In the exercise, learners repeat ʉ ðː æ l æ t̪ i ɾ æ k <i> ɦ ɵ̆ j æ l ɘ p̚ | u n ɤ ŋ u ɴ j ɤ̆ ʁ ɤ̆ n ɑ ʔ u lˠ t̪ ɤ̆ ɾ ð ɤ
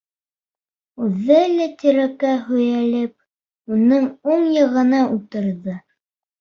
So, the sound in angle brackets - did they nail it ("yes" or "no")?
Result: no